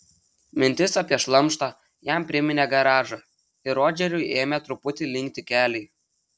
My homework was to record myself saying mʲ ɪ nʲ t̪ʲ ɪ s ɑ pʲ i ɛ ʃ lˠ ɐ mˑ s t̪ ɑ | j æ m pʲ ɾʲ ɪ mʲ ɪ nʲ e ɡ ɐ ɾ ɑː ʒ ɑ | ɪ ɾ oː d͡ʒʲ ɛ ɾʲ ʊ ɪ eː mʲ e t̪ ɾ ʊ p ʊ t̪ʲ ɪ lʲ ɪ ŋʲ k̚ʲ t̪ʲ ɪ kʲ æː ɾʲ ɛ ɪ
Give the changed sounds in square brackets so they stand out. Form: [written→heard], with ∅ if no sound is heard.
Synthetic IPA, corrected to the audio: mʲ ɪ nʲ t̪ʲ ɪ s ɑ pʲ i ɛ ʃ lˠ ɐ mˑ [s→ʃ] t̪ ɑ | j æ m pʲ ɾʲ ɪ mʲ ɪ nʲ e ɡ ɐ ɾ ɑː ʒ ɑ | ɪ ɾ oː d͡ʒʲ ɛ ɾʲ ʊ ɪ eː mʲ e t̪ ɾ ʊ p ʊ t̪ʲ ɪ lʲ ɪ ŋʲ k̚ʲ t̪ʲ ɪ kʲ æː [ɾʲ→lʲ] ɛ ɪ